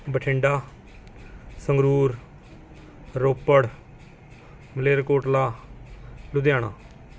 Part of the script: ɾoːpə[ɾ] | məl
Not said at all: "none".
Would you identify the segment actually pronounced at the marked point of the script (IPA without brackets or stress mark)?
ɽ